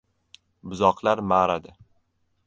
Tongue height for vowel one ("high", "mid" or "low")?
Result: high